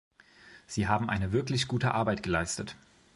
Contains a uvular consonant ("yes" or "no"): no